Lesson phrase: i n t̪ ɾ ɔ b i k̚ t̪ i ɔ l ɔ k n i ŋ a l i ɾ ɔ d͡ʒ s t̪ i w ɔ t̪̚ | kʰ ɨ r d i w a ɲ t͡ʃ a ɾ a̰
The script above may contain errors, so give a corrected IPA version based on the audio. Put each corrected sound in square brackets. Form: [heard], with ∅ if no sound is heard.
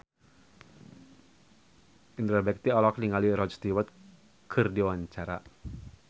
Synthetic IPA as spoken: i n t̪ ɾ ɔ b [ɛ] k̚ t̪ i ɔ l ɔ k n i ŋ a l i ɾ ɔ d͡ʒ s t̪ i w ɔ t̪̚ | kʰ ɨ r d i w a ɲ t͡ʃ a ɾ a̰